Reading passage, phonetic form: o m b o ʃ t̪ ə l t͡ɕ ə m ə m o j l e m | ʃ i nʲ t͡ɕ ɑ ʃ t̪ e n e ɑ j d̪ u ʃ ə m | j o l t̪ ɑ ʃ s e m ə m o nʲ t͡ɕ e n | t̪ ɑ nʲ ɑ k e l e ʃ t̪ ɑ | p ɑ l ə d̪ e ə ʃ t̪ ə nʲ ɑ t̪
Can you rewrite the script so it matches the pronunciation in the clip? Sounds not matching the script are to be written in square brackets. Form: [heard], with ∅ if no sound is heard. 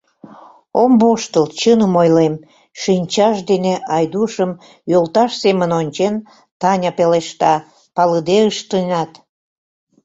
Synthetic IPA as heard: o m b o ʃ t̪ ə l t͡ɕ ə [n] ə m o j l e m | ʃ i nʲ t͡ɕ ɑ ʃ [d̪] e n e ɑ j d̪ u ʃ ə m | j o l t̪ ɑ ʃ s e m ə [n] o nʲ t͡ɕ e n | t̪ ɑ nʲ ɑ [p] e l e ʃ t̪ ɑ | p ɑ l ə d̪ e ə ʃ t̪ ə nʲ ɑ t̪